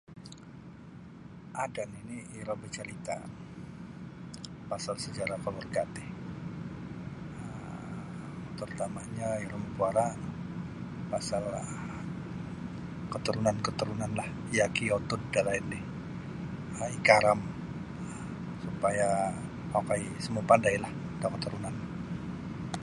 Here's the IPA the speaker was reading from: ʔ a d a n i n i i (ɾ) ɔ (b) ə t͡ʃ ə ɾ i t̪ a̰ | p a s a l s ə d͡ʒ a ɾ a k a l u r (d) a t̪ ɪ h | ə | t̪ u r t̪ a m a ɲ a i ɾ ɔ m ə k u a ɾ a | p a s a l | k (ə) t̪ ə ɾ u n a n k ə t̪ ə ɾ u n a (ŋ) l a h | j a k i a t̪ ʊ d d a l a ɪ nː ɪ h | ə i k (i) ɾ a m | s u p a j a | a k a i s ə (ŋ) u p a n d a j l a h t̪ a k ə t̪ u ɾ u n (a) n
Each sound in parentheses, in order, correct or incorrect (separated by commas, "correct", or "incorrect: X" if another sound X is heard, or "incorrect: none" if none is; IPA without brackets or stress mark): correct, correct, incorrect: ɡ, correct, incorrect: n, incorrect: a, incorrect: m, correct